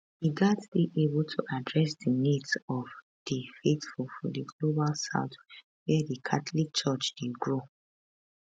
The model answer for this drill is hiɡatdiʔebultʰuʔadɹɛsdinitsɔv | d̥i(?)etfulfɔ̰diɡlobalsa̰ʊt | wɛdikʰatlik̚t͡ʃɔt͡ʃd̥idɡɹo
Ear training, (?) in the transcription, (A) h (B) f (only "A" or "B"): B